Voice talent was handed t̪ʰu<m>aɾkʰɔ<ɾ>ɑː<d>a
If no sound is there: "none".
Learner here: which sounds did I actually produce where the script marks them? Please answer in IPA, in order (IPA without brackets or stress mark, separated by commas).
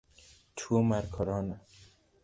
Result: m, ɾ, n